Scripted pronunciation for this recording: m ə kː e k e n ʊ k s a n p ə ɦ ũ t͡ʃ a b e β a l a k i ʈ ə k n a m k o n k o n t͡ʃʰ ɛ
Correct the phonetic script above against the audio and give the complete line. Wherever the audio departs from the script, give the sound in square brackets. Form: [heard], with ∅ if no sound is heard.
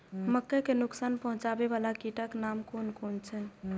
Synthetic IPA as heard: m ə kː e k e n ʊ k s a n p ə ɦ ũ t͡ʃ a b e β a l a k i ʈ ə k n a m k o n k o n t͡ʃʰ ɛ